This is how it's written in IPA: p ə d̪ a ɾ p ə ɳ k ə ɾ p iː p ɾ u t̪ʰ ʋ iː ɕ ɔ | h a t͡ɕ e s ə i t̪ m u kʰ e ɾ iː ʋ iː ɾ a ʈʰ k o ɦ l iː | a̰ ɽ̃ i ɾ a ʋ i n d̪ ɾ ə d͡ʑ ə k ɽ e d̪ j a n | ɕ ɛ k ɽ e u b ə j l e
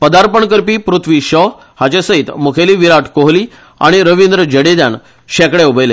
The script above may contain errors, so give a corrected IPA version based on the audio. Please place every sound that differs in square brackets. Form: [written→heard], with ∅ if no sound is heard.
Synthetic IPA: p ə d̪ a ɾ p ə ɳ k ə ɾ p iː p ɾ u t̪ʰ ʋ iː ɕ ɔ | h a t͡ɕ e s ə i t̪ m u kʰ e [ɾ→l] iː ʋ [iː→i] ɾ a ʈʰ k o ɦ l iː | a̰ ɽ̃ i ɾ [a→ə] ʋ i n d̪ ɾ ə d͡ʑ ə [k→∅] ɽ e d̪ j a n | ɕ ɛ k ɽ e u b ə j l e

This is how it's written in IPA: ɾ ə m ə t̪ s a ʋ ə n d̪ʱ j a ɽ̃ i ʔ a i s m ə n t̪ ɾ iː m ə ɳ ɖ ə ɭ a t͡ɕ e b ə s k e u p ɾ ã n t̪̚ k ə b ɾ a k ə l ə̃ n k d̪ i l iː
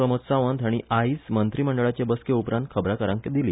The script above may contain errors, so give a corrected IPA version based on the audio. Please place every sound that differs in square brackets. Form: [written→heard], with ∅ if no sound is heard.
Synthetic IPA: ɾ ə m ə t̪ s a ʋ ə n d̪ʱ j a ɽ̃ i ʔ a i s m ə n t̪ ɾ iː m ə ɳ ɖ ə ɭ a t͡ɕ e b ə s k e u p ɾ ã n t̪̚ [k→kʰ] ə b ɾ a k ə [l→ɾ] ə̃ [n→ŋ] k d̪ i l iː

